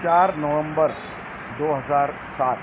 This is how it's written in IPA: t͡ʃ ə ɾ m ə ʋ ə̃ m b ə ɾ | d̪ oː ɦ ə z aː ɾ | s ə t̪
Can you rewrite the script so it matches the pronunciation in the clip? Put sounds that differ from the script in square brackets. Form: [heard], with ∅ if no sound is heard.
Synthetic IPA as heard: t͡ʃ [a] ɾ [n] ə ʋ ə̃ m b ə ɾ | d̪ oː ɦ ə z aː ɾ | s [a] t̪

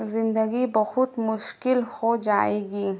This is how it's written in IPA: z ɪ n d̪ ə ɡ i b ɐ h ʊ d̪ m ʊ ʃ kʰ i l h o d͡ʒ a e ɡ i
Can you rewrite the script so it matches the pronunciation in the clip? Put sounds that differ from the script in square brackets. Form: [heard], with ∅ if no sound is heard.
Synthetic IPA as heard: z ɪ n d̪ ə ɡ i b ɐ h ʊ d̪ m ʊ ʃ [k] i l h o d͡ʒ a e ɡ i

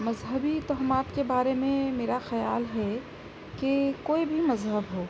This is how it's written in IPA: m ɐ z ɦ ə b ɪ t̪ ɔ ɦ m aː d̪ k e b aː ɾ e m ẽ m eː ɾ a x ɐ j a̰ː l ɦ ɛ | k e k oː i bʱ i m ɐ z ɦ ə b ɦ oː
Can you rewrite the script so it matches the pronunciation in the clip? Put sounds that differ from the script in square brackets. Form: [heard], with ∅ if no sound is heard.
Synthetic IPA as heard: m ɐ z ɦ ə b [i] t̪ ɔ ɦ m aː [t̪] k e b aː ɾ e m ẽ m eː ɾ a x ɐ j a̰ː l ɦ ɛ | k e k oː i bʱ i m ɐ z ɦ ə b ɦ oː

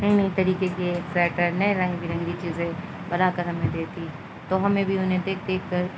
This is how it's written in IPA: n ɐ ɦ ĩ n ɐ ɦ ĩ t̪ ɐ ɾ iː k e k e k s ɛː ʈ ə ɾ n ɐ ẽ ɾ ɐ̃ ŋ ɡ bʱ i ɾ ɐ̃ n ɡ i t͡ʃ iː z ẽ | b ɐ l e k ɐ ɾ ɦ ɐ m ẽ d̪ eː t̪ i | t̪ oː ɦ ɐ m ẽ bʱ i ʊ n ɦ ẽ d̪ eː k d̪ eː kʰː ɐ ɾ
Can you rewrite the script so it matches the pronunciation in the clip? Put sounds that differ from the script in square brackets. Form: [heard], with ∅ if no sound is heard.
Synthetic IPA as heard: n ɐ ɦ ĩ n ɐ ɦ ĩ t̪ ɐ ɾ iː k e k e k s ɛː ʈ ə ɾ n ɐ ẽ ɾ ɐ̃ ŋ ɡ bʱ i ɾ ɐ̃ [ŋ] ɡ i t͡ʃ iː z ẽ | b ɐ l [a] k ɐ ɾ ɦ ɐ m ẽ d̪ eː t̪ i | t̪ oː ɦ ɐ m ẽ bʱ i ʊ n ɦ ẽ d̪ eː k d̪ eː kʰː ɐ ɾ

